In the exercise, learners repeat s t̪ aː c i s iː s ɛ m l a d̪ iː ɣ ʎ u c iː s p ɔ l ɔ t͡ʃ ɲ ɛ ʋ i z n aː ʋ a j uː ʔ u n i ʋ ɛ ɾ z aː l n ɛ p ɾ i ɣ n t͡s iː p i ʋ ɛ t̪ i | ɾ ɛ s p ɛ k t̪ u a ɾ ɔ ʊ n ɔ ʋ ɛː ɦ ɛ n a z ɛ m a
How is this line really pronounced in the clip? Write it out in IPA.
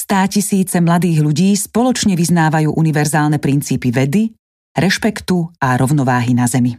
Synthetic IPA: s t̪ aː c i s iː t͡s ɛ m l a d̪ iː ɣ ʎ u ɟ iː s p ɔ l ɔ t͡ʃ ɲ ɛ ʋ i z n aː ʋ a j uː ʔ u n i ʋ ɛ ɾ z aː l n ɛ p ɾ i n t͡s iː p i ʋ ɛ d̪ i | ɾ ɛ ʃ p ɛ k t̪ u a ɾ ɔ ʊ n ɔ ʋ aː ɦ i n a z ɛ m i